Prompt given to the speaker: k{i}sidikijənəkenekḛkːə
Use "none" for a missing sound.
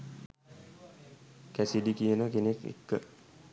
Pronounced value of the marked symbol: æ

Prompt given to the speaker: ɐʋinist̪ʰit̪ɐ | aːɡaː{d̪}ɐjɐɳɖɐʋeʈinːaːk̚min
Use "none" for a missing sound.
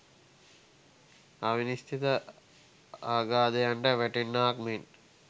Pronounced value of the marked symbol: d̪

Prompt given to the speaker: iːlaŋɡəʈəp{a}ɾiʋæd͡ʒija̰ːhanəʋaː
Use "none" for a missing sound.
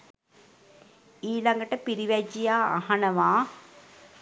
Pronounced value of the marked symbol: i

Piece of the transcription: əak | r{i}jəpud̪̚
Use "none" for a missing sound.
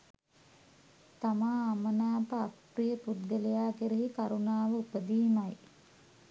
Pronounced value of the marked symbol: i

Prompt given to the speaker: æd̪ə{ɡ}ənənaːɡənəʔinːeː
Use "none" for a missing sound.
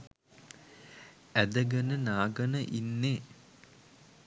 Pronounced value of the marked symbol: ɡ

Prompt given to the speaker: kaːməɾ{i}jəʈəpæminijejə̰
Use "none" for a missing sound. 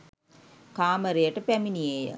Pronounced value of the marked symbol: e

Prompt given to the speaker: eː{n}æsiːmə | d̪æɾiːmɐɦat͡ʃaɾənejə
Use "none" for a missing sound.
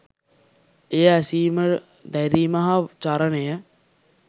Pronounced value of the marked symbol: none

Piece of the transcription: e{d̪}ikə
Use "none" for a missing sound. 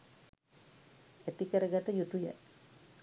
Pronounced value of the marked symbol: t̪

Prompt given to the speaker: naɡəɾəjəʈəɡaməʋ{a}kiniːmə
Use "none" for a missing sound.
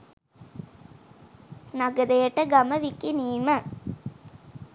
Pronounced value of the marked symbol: i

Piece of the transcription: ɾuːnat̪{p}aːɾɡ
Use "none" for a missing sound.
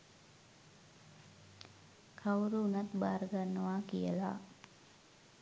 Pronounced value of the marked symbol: b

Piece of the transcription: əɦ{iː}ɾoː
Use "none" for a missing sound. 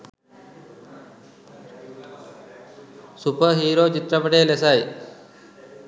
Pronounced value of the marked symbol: iː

